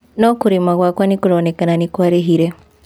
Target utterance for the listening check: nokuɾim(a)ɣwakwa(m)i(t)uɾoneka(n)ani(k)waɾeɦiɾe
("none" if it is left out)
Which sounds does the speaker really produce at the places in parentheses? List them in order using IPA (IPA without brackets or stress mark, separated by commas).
a, n, k, n, k